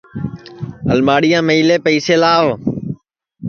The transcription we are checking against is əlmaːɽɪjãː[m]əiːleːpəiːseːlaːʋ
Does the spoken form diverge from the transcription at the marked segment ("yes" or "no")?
no